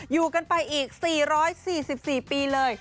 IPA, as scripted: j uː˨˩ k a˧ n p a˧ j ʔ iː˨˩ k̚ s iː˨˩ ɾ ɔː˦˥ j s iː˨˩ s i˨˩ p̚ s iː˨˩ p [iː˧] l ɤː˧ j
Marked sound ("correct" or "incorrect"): correct